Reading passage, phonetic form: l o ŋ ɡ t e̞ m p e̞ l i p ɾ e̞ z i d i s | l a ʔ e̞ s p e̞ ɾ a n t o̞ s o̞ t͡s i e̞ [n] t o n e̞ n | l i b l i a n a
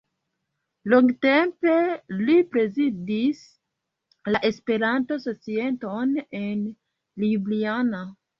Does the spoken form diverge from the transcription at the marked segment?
no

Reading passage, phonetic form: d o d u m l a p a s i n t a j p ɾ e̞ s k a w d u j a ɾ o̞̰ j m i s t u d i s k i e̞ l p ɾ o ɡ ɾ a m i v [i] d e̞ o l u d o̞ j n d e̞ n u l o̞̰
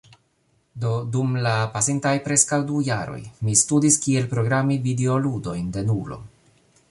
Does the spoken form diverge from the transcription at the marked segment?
no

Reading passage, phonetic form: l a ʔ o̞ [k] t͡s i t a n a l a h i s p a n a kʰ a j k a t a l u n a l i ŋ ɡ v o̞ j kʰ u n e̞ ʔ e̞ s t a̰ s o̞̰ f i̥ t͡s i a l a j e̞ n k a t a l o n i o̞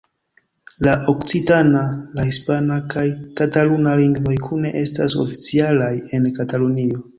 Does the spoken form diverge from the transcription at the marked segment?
no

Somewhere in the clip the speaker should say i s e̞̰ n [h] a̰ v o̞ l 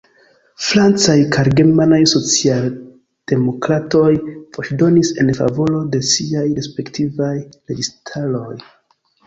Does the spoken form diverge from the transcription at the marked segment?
yes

